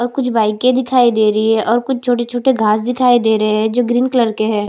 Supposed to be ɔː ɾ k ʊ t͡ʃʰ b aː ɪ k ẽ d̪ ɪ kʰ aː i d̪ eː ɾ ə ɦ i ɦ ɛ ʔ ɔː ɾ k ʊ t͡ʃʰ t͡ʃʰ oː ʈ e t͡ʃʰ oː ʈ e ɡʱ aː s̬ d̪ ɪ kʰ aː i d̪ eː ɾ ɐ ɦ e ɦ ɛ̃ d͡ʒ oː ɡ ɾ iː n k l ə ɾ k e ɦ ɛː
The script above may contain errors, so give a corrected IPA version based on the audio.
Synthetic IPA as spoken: ɔː ɾ k ʊ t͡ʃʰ b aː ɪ k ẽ d̪ ɪ kʰ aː i d̪ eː ɾ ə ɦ i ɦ ɛ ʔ ɔː ɾ k ʊ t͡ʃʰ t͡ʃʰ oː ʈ e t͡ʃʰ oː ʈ e ɡʱ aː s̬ d̪ ɪ kʰ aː i d̪ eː ɾ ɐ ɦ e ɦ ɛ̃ d͡ʒ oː ɡ ɾ iː n k l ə ɾ k e ɦ ɛː